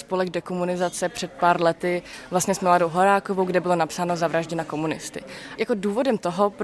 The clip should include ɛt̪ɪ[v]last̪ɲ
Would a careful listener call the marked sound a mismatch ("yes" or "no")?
no